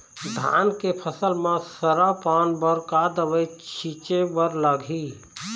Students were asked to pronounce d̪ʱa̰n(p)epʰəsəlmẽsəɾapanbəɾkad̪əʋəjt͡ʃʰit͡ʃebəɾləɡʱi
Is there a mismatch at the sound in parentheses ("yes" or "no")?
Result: yes